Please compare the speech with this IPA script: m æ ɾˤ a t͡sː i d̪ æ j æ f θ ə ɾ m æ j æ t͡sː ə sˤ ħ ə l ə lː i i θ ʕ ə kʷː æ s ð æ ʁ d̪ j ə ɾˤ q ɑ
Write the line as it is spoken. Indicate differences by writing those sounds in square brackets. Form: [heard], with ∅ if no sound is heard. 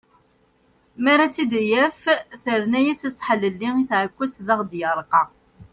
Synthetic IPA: m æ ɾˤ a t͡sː i d̪ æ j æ f θ ə ɾ [n] æ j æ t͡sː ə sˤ ħ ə l ə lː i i θ ʕ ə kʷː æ s ð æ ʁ d̪ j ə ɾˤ q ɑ